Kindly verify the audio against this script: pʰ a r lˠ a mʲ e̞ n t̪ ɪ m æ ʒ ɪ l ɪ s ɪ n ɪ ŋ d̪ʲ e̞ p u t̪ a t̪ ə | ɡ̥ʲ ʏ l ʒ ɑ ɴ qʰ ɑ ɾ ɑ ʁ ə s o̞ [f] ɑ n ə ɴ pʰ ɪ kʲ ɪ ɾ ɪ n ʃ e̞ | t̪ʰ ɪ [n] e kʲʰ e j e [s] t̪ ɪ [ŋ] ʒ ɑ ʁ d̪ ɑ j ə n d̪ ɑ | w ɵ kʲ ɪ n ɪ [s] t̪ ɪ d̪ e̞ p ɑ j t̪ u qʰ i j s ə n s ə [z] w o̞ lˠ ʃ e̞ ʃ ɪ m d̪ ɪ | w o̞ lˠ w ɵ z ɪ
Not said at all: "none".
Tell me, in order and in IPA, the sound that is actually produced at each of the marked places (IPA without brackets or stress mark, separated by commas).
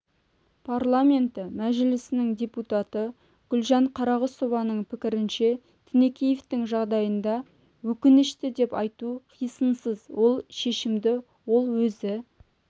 v, n, f, ŋ, ʃ, z